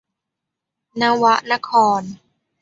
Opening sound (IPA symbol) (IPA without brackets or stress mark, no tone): n